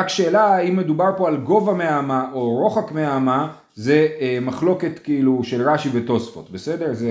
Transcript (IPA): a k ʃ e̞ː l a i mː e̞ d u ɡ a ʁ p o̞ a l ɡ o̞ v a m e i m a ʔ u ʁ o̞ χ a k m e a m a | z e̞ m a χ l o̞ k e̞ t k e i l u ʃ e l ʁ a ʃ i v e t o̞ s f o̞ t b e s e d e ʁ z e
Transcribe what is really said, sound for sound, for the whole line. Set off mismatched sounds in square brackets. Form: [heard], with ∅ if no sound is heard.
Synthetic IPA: a k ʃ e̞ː l a i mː e̞ d u [b] a ʁ p o̞ a l ɡ o̞ v a m e [a] m a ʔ [o] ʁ o̞ χ a k m e a m a | z e̞ m a χ l o̞ k e̞ t k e i l u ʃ e l ʁ a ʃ i v e t o̞ s f o̞ t b e s e d e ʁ z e